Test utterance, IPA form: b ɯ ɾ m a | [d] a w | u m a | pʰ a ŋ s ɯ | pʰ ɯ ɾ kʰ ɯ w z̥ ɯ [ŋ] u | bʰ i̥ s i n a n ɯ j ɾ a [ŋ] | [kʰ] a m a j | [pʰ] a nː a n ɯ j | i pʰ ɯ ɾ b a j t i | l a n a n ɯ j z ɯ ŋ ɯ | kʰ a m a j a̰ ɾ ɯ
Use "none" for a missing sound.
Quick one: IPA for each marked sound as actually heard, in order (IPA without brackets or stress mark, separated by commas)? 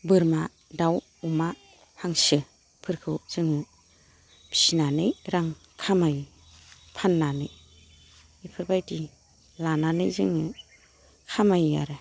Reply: d, ŋ, ŋ, kʰ, pʰ